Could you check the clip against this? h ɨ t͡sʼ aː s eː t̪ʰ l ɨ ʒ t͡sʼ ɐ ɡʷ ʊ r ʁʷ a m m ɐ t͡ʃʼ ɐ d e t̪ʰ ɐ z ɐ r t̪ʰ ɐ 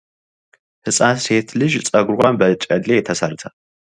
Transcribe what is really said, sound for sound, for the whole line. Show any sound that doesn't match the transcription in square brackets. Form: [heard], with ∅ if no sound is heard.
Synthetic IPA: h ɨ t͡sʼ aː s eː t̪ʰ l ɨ ʒ t͡sʼ ɐ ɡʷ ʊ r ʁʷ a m [b] ɐ t͡ʃʼ ɐ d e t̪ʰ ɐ [s] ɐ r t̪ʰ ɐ